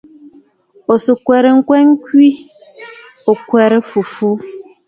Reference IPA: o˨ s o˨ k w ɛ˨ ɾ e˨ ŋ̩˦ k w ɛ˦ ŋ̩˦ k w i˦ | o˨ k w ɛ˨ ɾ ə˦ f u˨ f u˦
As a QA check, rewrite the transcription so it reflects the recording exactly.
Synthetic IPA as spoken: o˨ s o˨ k w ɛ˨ ɾ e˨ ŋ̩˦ k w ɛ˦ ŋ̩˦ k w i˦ | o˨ k w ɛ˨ ɾ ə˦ f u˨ f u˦